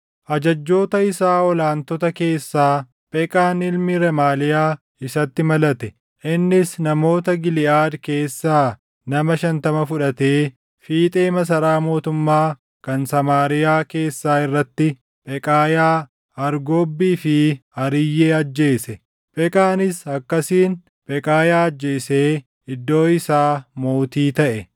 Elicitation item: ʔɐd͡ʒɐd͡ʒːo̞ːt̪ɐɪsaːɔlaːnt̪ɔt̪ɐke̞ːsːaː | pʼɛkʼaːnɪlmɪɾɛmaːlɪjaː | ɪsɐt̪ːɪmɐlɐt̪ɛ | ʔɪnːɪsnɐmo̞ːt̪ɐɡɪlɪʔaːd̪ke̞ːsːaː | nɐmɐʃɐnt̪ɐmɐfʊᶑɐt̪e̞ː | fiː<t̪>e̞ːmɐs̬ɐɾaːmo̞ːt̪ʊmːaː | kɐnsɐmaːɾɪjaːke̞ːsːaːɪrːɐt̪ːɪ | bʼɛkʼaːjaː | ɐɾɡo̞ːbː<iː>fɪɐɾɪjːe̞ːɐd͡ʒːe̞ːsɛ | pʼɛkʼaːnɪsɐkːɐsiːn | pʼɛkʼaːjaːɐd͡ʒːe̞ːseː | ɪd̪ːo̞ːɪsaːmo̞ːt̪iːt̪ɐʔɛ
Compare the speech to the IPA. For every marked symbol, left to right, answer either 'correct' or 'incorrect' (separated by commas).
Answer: incorrect, correct